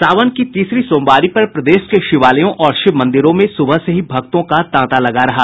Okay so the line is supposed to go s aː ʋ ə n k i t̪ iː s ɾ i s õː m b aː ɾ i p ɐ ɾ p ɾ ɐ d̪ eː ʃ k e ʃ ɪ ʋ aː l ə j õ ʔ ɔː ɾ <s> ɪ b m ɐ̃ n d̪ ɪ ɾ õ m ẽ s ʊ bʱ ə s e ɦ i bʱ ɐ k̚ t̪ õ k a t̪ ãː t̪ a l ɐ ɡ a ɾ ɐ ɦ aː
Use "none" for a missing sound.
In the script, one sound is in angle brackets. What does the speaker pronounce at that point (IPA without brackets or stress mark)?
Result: ʃ